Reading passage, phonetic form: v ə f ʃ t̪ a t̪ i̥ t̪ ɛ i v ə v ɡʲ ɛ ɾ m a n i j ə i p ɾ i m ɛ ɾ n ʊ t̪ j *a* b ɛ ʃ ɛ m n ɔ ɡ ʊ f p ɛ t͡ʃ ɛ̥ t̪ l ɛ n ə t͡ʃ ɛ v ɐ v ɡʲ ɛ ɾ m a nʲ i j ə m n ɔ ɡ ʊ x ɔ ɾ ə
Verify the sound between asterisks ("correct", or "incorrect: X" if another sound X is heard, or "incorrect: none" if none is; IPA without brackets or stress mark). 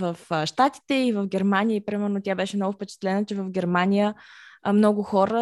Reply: correct